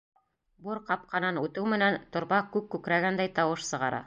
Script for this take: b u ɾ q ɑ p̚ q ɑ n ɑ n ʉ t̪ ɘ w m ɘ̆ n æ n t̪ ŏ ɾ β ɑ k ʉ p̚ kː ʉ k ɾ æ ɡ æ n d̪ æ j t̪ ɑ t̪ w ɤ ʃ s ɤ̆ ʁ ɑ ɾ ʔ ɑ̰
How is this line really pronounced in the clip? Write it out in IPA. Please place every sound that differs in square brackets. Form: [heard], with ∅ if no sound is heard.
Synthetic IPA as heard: b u ɾ q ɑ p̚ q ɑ n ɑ n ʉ t̪ ɘ w m ɘ̆ n æ n t̪ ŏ ɾ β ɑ k ʉ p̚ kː ʉ k ɾ æ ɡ æ n d̪ æ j t̪ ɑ [∅] w ɤ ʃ s ɤ̆ ʁ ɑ ɾ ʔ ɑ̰